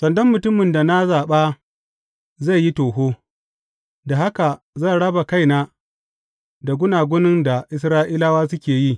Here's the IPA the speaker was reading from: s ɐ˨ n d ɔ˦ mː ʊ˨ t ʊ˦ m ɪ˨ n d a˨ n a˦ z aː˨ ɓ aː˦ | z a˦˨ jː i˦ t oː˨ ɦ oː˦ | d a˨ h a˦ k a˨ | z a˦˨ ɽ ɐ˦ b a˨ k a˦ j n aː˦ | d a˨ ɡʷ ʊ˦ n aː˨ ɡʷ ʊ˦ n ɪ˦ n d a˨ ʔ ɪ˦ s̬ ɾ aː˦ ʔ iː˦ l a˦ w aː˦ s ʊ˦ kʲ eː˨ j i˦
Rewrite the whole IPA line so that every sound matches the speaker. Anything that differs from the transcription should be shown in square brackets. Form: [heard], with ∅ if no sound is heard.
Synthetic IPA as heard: s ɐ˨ n d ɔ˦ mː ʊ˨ t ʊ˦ m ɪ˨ n d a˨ n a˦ z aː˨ ɓ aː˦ | z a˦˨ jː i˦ t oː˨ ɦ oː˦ | d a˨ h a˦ k a˨ | z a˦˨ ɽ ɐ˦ b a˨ k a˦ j n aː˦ | d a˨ ɡʷ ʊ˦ n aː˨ ɡʷ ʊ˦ n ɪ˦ n d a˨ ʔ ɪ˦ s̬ ɾ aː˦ ʔ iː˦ l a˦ w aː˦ s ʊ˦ kʲ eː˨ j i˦